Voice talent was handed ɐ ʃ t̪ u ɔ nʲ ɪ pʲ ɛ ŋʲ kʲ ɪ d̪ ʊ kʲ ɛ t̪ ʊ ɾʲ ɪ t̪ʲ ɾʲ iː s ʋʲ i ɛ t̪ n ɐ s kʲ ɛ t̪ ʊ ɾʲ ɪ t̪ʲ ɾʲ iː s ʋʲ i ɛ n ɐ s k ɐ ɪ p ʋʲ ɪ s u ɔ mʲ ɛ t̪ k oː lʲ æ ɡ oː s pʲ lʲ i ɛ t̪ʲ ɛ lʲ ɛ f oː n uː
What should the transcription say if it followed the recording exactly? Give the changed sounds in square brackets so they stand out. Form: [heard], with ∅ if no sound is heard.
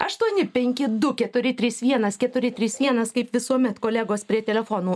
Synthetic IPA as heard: ɐ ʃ t̪ u ɔ nʲ ɪ pʲ ɛ ŋʲ kʲ ɪ d̪ ʊ kʲ ɛ t̪ ʊ ɾʲ ɪ t̪ʲ ɾʲ iː s ʋʲ i ɛ [∅] n ɐ s kʲ ɛ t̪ ʊ ɾʲ ɪ t̪ʲ ɾʲ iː s ʋʲ i ɛ n ɐ s k ɐ ɪ p ʋʲ ɪ s u ɔ mʲ ɛ t̪ k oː lʲ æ ɡ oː s pʲ [ɾʲ] i ɛ t̪ʲ ɛ lʲ ɛ f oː n uː